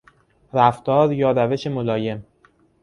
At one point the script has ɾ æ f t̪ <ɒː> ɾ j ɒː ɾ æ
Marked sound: correct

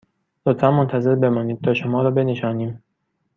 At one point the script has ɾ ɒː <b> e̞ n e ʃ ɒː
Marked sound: correct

